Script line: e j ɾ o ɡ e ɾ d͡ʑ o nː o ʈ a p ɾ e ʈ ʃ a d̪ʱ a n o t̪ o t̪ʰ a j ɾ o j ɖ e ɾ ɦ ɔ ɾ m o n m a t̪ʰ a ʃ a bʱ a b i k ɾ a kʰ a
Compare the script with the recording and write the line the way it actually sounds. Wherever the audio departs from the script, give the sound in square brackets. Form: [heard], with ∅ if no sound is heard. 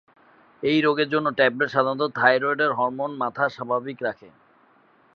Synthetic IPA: e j ɾ o ɡ e ɾ d͡ʑ o nː o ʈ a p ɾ e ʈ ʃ a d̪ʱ a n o t̪ o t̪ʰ a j ɾ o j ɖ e ɾ ɦ ɔ ɾ m o n m a t̪ʰ a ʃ a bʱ a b i k ɾ a kʰ [e]